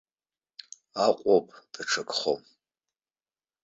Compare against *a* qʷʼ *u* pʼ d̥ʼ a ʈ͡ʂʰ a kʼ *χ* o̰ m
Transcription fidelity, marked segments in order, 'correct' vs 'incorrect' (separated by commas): correct, incorrect, correct